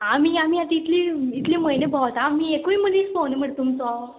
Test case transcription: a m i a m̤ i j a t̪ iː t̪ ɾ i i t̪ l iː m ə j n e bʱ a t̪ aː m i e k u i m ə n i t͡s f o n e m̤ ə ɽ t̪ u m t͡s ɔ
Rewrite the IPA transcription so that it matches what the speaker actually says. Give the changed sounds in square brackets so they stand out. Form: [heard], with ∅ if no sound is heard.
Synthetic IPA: a m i a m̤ i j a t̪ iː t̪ [l] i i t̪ l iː m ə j n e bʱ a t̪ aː m i e k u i m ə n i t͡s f o n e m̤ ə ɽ t̪ u m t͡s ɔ